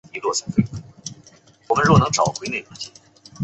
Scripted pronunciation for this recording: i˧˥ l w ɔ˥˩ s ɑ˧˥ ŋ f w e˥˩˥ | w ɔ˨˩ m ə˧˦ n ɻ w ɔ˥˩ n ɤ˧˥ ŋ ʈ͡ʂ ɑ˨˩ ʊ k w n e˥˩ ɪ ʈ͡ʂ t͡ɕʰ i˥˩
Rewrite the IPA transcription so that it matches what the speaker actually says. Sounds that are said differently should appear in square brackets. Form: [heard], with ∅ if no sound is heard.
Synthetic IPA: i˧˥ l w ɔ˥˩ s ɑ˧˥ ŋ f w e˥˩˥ | w ɔ˨˩ m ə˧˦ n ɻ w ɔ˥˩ n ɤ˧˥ ŋ ʈ͡ʂ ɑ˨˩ ʊ [x] w n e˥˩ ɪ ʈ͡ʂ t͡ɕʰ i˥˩